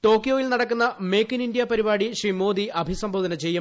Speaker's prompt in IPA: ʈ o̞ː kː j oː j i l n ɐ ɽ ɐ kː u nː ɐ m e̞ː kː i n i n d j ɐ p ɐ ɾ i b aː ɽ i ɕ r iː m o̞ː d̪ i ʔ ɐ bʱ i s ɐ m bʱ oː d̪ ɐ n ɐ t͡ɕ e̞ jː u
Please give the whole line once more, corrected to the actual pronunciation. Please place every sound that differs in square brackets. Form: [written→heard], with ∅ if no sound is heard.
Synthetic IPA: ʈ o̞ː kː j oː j i l n ɐ ɽ ɐ kː u nː ɐ m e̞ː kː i n i n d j ɐ p ɐ ɾ i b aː ɽ i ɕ r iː m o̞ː d̪ i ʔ ɐ bʱ i s ɐ m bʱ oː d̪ ɐ n ɐ t͡ɕ e̞ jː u

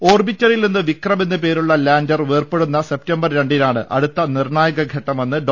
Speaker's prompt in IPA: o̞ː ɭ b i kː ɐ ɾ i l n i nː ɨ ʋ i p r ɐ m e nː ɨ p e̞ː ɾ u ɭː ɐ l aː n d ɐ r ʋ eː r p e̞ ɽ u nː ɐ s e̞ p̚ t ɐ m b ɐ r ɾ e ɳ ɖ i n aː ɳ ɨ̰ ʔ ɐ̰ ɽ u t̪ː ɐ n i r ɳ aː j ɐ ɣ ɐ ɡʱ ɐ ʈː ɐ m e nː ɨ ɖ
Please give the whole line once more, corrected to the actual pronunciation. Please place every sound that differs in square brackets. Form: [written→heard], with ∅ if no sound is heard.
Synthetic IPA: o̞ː [ɭ→r] b i [kː→tː] ɐ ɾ i l n i nː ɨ ʋ i [p→k] r ɐ m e nː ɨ p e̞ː ɾ u ɭː ɐ l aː n d ɐ r ʋ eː r p e̞ ɽ u nː ɐ s e̞ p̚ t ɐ m b ɐ r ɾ e ɳ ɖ i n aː ɳ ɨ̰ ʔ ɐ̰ ɽ u t̪ː ɐ n i r ɳ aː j ɐ ɣ ɐ ɡʱ ɐ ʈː ɐ m e nː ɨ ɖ

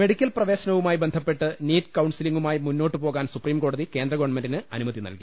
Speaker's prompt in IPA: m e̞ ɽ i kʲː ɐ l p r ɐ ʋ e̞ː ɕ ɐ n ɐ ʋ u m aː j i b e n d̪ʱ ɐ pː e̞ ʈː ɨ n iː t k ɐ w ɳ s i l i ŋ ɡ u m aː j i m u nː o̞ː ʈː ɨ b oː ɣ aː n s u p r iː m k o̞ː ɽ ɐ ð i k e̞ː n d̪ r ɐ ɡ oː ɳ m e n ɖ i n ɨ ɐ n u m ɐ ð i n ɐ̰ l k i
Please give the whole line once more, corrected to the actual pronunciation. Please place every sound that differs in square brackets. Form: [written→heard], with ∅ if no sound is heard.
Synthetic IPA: m e̞ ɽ i kʲː ɐ l p r ɐ ʋ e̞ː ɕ ɐ n ɐ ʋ u m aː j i b e n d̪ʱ ɐ pː e̞ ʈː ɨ n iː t k ɐ w ɳ s i l i ŋ ɡ u m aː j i m u nː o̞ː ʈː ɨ [b→p] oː ɣ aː n s u p r iː m k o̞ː ɽ ɐ ð i k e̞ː n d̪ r ɐ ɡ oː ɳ m e n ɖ i n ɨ ɐ n u m ɐ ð i n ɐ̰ l k i

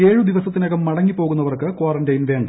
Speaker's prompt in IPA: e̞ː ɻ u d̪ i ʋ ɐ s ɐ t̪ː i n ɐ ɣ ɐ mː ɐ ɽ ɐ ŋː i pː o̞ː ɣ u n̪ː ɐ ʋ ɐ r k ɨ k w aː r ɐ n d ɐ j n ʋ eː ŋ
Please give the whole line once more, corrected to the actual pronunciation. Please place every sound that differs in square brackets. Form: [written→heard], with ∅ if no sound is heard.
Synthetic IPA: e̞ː ɻ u d̪ i ʋ ɐ s ɐ t̪ː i n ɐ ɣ ɐ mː ɐ ɽ ɐ ŋː i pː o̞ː ɣ u n̪ː ɐ ʋ ɐ r k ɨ k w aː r ɐ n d ɐ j n ʋ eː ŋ

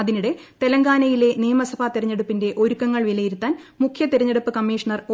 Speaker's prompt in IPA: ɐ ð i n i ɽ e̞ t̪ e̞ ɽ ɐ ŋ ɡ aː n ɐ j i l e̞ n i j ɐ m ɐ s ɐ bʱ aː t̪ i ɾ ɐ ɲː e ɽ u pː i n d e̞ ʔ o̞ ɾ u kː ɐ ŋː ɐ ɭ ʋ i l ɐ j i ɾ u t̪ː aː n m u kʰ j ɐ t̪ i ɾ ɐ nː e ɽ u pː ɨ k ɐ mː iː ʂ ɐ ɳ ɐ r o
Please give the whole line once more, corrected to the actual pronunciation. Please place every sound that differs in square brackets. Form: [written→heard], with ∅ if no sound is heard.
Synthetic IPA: ɐ ð i n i ɽ e̞ t̪ e̞ [ɽ→l] ɐ ŋ ɡ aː n ɐ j i l e̞ n i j ɐ m ɐ s ɐ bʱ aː t̪ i ɾ ɐ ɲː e ɽ u pː i n d e̞ ʔ o̞ ɾ u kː ɐ ŋː ɐ ɭ ʋ i l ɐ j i ɾ u t̪ː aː n m u kʰ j ɐ t̪ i ɾ ɐ [nː→ɲː] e ɽ u pː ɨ k ɐ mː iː ʂ ɐ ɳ ɐ r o

